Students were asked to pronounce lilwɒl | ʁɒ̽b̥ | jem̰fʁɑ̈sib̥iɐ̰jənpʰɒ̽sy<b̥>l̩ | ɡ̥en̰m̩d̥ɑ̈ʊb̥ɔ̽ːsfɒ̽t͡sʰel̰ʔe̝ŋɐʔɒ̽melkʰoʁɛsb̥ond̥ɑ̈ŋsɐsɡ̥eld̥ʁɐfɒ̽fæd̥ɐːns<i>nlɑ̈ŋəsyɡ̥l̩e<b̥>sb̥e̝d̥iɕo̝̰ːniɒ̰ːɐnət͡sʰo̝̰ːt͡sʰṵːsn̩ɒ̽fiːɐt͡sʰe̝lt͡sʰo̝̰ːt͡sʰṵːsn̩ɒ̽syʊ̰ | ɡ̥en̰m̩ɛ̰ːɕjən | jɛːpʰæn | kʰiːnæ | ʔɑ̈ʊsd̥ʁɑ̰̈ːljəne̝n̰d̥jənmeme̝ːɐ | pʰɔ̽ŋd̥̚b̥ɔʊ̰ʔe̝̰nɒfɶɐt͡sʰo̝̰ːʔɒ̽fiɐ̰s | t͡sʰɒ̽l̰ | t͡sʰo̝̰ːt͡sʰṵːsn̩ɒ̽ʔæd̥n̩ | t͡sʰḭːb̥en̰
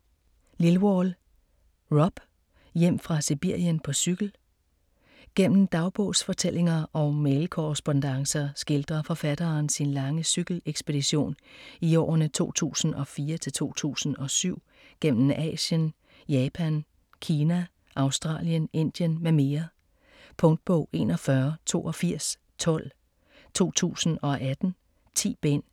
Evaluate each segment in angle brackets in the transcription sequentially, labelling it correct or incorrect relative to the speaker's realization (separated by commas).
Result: incorrect, correct, incorrect